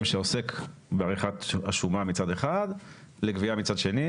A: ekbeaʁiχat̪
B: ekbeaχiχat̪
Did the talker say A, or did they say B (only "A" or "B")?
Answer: A